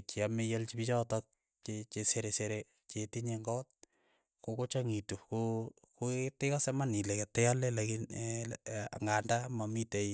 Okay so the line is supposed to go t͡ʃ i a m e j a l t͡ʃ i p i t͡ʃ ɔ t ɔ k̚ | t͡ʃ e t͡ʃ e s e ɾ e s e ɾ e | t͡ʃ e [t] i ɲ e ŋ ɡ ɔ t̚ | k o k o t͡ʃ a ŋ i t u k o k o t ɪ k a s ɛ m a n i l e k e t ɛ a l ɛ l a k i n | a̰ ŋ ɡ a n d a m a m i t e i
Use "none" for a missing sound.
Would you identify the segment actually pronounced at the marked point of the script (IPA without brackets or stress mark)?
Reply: t